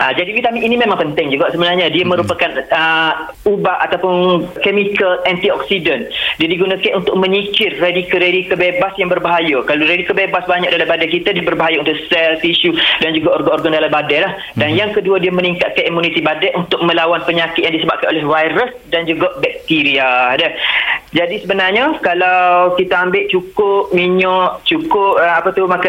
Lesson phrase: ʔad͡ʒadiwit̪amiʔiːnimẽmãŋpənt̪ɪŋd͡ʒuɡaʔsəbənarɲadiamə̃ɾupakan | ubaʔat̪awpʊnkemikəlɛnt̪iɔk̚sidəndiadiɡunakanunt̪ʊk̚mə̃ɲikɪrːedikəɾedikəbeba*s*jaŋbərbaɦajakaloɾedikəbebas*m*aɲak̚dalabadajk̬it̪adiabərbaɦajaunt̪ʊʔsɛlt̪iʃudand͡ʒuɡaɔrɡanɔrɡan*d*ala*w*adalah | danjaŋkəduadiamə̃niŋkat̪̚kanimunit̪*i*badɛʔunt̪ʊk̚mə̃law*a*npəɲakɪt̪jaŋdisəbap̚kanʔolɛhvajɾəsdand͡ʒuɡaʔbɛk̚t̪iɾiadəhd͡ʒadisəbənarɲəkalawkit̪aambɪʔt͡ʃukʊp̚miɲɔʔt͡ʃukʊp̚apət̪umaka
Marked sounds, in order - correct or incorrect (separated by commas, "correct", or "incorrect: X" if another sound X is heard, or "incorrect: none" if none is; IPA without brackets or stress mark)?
correct, incorrect: b, correct, incorrect: b, correct, correct